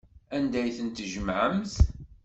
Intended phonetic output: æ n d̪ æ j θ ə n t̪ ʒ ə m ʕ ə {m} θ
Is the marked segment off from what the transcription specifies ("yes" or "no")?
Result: no